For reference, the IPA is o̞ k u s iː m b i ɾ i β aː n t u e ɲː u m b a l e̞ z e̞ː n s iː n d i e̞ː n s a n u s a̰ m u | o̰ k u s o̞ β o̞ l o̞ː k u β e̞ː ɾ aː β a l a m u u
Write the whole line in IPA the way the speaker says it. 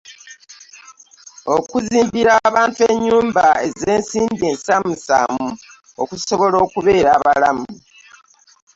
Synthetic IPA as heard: o̞ k u z iː m b i ɾ a β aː n t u e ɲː uː m b a e̞ z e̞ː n s iː n d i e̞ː n s a m u s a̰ m u | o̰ k u s o̞ β o̞ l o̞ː k u β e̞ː ɾ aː β a l a m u u